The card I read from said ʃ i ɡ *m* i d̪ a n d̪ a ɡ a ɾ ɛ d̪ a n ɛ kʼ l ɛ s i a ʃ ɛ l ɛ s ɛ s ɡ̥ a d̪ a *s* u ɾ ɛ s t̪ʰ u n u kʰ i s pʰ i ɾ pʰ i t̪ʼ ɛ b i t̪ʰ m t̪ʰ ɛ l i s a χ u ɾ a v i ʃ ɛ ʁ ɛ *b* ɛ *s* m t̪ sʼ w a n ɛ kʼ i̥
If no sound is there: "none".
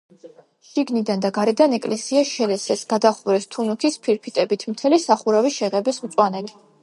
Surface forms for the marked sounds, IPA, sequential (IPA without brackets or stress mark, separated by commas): n, χ, b, s